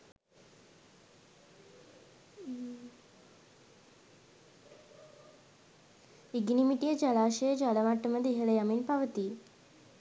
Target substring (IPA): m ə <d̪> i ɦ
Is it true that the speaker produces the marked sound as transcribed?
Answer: yes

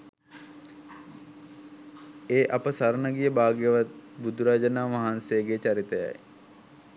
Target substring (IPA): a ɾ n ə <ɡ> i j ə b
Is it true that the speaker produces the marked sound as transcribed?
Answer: yes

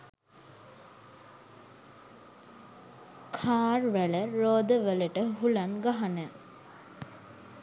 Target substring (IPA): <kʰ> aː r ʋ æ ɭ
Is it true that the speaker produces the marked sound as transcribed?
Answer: yes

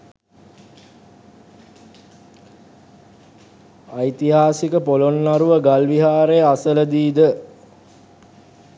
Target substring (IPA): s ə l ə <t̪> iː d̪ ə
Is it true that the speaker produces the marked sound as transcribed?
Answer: no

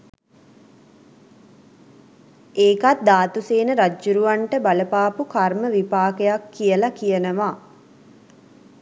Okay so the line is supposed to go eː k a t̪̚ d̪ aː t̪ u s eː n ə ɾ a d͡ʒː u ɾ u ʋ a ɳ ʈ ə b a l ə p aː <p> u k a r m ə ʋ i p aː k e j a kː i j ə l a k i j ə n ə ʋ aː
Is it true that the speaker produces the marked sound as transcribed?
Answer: yes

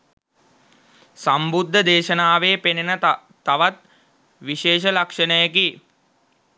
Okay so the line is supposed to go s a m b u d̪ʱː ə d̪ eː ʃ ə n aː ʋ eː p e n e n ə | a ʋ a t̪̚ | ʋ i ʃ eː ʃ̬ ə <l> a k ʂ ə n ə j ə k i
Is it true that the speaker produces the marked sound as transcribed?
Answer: yes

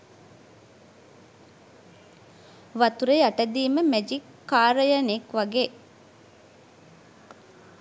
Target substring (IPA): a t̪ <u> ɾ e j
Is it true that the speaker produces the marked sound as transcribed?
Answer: yes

